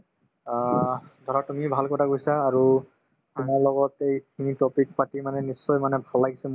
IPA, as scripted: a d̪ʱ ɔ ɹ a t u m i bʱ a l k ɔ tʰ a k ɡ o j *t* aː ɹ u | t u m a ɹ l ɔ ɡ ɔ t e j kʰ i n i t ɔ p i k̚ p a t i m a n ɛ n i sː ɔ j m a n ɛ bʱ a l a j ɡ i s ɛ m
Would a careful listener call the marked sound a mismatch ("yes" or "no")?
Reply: yes